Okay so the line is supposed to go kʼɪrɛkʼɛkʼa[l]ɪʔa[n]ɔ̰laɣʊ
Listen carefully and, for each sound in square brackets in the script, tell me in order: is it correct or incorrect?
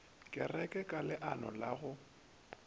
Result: correct, correct

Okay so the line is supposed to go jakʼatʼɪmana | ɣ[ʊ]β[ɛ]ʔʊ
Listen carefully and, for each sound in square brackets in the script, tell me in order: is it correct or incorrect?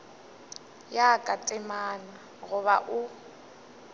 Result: correct, incorrect: a

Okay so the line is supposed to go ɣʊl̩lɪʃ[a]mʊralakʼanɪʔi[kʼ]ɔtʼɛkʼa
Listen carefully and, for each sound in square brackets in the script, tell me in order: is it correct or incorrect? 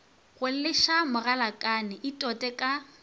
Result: correct, incorrect: tʼ

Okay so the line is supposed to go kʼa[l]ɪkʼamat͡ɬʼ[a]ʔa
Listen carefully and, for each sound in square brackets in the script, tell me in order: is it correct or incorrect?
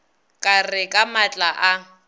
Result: incorrect: r, correct

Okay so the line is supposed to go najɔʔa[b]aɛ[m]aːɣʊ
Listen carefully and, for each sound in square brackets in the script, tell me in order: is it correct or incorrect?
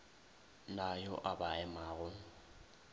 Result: correct, correct

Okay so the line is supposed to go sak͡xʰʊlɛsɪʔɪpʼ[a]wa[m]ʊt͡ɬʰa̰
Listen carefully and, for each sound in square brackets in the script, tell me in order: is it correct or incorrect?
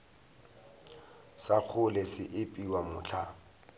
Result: incorrect: i, correct

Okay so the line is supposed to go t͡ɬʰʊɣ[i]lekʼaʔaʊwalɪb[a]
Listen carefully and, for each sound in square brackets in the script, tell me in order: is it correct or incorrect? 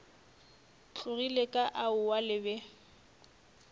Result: correct, incorrect: ɛ

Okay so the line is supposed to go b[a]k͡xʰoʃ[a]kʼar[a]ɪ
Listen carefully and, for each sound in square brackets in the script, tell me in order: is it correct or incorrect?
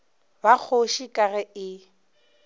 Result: correct, incorrect: i, incorrect: ɛ

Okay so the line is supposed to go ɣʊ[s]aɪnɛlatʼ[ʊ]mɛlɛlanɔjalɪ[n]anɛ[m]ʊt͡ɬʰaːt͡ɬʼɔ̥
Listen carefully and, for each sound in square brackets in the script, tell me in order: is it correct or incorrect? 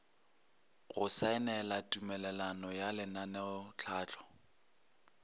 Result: correct, incorrect: u, correct, incorrect: none

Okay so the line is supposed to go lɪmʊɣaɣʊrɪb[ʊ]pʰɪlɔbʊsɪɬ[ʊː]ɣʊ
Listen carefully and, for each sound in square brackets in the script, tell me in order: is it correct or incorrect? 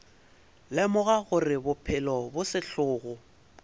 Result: correct, correct

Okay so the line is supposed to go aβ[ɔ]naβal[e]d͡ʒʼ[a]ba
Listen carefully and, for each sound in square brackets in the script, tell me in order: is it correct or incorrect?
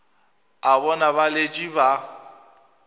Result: correct, correct, incorrect: i

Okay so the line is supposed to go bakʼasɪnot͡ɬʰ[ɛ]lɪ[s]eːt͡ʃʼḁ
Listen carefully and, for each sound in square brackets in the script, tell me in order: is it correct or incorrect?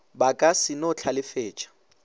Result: incorrect: a, incorrect: f

